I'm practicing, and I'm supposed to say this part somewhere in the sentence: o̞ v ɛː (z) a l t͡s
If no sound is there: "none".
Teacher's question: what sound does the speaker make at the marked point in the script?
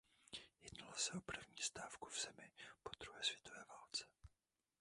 v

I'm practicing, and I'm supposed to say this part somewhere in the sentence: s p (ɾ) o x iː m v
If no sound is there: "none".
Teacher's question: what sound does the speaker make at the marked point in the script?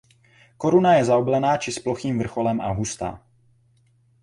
l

